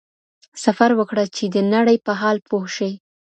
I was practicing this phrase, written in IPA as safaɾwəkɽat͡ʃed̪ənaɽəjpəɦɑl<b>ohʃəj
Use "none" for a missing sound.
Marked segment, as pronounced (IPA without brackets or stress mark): p